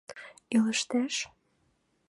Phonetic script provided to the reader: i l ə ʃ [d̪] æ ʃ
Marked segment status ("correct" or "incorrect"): incorrect